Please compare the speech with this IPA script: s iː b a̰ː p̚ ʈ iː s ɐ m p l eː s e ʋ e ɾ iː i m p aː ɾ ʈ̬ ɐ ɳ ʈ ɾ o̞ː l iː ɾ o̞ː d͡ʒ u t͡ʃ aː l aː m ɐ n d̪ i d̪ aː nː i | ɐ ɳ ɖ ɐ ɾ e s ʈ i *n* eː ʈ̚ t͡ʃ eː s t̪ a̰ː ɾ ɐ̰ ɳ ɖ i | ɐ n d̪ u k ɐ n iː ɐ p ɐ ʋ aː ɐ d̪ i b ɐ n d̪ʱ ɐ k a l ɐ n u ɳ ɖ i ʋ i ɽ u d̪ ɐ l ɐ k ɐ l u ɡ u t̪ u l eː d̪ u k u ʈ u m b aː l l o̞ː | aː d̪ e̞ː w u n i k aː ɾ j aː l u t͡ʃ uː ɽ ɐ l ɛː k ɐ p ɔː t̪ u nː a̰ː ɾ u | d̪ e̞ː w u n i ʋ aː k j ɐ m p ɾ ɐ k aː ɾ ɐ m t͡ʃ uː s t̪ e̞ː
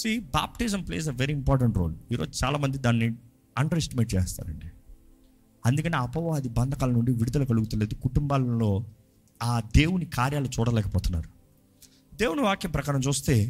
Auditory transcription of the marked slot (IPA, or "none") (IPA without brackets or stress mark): m